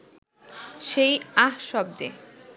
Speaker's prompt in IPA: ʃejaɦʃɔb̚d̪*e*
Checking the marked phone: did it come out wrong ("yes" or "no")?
no